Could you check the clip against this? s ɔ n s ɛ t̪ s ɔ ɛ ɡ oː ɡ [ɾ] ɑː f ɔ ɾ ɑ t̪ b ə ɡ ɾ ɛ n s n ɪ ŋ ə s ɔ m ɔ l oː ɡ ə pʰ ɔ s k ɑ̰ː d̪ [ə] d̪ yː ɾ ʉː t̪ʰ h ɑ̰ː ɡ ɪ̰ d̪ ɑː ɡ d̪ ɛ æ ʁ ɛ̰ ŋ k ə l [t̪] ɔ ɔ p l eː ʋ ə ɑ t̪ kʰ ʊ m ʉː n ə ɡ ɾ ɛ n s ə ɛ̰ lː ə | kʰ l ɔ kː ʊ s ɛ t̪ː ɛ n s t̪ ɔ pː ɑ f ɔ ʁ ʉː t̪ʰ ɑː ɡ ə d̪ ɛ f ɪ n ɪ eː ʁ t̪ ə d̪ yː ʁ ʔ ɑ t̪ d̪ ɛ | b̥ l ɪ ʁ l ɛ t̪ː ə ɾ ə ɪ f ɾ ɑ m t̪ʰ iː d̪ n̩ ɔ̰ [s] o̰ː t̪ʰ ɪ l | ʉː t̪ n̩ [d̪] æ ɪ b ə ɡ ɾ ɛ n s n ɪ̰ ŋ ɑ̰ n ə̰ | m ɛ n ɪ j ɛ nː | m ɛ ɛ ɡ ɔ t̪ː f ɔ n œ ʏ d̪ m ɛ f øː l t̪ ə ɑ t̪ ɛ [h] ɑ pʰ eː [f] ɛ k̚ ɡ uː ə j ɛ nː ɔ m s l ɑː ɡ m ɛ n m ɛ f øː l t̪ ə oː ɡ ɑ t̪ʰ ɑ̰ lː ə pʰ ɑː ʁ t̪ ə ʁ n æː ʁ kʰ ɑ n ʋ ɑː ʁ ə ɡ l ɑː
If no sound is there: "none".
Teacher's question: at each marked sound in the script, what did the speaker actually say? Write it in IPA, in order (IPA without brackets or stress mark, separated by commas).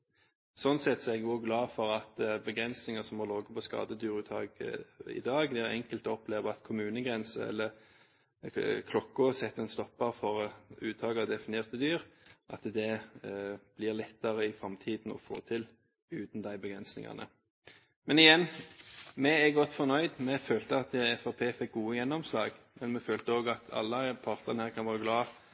l, ə, t̪, f, d̪, f, f